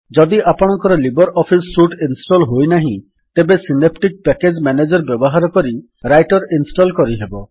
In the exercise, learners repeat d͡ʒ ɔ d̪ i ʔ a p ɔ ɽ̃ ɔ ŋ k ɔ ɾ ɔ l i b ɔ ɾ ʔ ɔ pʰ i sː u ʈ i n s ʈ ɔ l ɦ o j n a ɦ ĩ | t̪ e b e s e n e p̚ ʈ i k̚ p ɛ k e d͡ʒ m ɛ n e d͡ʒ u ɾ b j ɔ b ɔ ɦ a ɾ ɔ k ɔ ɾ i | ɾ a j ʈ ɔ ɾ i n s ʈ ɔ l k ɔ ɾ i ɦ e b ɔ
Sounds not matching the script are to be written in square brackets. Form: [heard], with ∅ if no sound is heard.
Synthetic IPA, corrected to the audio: d͡ʒ ɔ d̪ i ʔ a p ɔ ɽ̃ ɔ ŋ k ɔ ɾ ɔ l i b ɔ ɾ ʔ ɔ pʰ i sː u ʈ i n s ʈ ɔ l ɦ o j n a ɦ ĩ | t̪ e b e s [i] n e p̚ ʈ i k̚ p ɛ k e d͡ʒ m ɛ n e d͡ʒ [ɔ] ɾ b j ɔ b ɔ ɦ a ɾ ɔ k ɔ ɾ i | ɾ a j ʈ ɔ ɾ i n s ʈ ɔ l k ɔ ɾ i ɦ e b ɔ

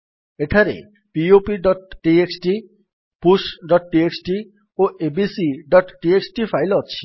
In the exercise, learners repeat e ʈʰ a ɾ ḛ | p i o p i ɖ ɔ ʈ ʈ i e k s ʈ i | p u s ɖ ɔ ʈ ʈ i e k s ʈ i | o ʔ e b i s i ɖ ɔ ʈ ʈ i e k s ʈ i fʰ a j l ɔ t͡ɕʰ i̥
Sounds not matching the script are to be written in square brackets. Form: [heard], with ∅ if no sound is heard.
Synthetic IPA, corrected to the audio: e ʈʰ a ɾ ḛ | p i o p i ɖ ɔ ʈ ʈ i e k s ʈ i | p u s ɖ ɔ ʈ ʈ i e k s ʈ i | o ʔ e b i s i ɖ ɔ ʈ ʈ i e k s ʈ i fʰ a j l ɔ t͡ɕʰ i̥

